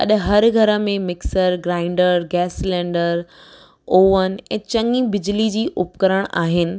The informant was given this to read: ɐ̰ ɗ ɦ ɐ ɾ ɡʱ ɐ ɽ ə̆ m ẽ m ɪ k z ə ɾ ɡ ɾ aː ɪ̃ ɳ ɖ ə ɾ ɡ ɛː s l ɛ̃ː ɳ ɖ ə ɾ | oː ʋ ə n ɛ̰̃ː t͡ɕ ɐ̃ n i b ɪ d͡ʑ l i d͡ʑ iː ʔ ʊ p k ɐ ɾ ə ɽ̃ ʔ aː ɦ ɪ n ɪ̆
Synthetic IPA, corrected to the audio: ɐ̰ ɗ ɦ ɐ ɾ ɡʱ ɐ ɾ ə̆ m ẽ m ɪ k s ə ɾ ɡ ɾ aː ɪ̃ ɳ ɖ ə ɾ ɡ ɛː s l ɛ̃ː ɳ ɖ ə ɾ | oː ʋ ə n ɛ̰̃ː t͡ɕ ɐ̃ ŋ i b ɪ d͡ʑ l i d͡ʑ iː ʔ ʊ p k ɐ ɾ ə ɽ̃ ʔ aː ɦ ɪ n ɪ̆